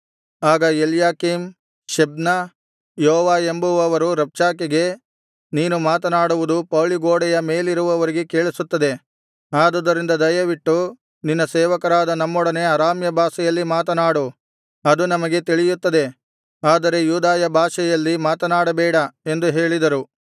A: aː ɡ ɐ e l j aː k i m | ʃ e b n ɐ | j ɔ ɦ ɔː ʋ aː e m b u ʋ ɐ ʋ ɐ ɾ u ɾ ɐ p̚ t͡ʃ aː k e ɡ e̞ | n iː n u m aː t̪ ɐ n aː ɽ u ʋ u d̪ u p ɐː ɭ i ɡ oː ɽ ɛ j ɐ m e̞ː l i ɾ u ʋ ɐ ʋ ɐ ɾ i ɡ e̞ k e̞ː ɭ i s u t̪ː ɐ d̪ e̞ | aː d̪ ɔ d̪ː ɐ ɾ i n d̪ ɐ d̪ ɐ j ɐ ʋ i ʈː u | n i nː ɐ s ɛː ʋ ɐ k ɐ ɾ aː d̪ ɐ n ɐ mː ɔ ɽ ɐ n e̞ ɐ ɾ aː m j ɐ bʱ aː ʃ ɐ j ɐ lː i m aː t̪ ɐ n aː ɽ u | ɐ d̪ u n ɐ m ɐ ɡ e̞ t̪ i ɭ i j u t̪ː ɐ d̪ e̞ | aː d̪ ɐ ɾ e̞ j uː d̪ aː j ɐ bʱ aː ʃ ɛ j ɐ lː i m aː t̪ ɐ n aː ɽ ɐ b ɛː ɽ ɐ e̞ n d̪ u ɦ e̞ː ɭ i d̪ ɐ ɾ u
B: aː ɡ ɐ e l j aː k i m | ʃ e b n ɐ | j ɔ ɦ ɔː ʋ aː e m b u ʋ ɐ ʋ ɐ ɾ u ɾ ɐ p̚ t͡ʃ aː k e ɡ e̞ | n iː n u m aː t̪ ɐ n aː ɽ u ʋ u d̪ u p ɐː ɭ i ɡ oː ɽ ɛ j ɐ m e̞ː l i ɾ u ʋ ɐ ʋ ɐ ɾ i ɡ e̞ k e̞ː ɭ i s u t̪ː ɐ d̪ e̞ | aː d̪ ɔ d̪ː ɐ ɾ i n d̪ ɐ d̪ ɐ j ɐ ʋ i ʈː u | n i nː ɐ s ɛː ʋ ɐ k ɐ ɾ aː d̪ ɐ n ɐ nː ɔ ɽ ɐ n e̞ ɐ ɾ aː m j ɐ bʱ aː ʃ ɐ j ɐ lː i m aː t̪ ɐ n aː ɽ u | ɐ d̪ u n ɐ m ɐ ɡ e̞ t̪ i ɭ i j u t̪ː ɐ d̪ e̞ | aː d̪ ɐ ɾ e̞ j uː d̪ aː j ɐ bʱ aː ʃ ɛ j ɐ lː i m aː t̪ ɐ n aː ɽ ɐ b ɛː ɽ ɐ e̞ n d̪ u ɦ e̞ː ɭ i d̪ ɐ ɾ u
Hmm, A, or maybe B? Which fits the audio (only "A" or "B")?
A